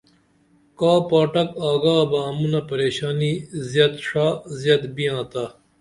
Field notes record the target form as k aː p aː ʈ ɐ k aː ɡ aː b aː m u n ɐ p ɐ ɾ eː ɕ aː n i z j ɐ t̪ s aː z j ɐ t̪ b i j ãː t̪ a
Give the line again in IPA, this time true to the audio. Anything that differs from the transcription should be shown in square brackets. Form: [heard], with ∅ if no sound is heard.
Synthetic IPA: k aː p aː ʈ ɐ k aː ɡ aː b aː m u n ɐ p ɐ ɾ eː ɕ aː n i z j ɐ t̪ [ʂ] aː z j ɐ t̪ b i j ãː t̪ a